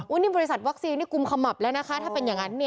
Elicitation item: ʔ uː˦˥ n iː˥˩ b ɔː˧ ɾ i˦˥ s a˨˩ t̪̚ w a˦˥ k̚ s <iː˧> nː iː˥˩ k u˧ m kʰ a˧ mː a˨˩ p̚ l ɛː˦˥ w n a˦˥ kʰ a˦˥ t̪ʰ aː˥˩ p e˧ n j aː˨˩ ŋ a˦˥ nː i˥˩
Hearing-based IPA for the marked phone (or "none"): iː˧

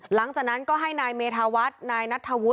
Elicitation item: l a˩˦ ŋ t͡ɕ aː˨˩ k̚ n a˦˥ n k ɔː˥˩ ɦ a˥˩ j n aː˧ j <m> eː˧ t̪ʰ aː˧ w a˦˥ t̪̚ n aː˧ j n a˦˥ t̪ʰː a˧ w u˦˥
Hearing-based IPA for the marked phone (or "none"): m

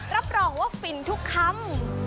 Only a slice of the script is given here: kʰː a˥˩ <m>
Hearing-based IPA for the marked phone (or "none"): m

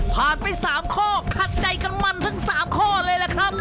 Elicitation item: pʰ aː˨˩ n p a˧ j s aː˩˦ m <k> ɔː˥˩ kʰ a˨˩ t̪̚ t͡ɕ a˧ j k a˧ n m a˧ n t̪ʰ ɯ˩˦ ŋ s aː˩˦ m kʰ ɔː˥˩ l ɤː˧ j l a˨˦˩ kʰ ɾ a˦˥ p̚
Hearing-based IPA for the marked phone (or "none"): kʰ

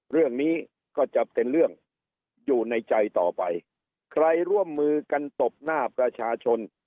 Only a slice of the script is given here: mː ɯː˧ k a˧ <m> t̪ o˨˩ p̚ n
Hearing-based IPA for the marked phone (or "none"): n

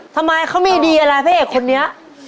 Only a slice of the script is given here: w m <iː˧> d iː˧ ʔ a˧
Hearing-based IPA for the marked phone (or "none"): iː˧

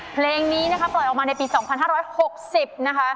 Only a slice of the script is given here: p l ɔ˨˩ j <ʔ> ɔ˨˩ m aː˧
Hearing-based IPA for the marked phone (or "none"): ʔ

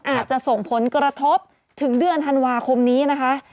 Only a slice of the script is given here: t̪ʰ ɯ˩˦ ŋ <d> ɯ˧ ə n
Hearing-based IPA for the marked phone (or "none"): d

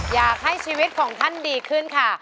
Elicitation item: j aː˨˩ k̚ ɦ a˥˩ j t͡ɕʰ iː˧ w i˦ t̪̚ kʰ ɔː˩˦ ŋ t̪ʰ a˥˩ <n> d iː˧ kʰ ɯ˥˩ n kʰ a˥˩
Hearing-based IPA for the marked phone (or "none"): n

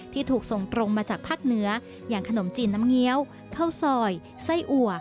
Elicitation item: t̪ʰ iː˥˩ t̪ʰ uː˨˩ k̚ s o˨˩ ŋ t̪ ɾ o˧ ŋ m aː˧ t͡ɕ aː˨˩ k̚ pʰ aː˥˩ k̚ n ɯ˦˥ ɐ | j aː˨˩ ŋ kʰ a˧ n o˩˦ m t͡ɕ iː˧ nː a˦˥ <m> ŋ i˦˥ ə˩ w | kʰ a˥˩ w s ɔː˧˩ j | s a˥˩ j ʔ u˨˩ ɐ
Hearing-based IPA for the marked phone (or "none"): m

